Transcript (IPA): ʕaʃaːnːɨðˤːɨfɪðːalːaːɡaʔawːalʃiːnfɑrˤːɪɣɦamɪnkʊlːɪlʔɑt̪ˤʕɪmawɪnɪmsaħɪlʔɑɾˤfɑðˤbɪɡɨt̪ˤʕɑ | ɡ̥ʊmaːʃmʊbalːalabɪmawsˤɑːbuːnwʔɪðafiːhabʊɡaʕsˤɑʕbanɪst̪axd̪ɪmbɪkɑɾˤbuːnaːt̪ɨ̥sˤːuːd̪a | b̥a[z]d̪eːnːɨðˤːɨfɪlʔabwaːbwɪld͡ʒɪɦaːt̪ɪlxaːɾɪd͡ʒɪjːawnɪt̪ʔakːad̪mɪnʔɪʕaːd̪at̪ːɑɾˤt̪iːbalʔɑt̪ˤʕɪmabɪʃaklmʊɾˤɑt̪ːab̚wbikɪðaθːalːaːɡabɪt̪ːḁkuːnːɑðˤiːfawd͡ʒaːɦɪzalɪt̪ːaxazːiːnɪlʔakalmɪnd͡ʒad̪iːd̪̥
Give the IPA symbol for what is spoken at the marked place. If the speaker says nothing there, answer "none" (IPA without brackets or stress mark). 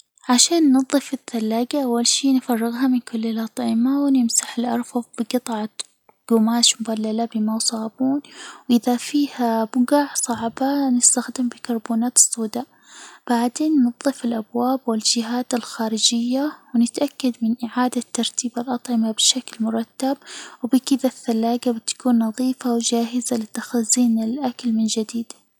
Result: ʕ